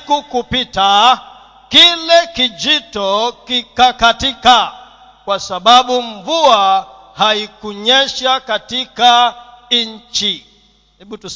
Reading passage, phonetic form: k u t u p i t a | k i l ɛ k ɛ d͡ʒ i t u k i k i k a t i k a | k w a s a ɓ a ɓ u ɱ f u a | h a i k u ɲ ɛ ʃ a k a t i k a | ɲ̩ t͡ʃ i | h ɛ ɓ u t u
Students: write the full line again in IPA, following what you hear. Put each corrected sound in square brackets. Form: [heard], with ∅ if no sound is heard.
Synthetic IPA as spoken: k u [k] u p i t a | k i l ɛ k [i] d͡ʒ i t [ɔ] k i k [a] k a t i k a | k w a s a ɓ a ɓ u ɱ [v] u a | h a i k u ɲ ɛ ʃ a k a t i k a | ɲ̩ t͡ʃ i | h ɛ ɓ u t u